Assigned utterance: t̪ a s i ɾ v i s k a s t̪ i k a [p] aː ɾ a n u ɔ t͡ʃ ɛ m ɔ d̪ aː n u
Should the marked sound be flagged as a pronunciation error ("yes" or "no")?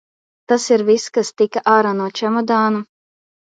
yes